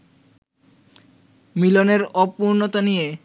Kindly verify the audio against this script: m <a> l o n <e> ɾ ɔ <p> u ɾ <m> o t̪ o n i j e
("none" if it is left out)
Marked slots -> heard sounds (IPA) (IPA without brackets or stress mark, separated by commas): i, e, p, n